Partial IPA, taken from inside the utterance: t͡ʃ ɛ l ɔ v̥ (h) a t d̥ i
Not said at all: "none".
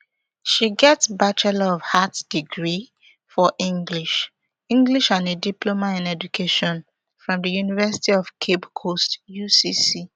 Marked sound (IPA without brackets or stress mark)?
h